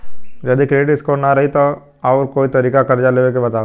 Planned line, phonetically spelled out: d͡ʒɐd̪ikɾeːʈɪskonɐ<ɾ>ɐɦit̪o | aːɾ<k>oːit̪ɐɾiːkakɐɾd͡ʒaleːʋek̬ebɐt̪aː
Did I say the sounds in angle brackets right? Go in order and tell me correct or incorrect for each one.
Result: correct, correct

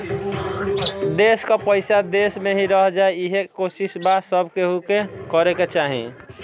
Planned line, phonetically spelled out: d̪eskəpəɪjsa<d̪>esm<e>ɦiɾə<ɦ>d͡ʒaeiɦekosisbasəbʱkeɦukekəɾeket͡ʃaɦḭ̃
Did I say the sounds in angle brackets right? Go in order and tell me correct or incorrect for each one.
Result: correct, correct, correct

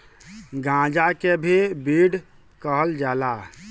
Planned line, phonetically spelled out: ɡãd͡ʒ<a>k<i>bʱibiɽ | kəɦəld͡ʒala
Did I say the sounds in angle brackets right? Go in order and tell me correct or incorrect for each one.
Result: correct, incorrect

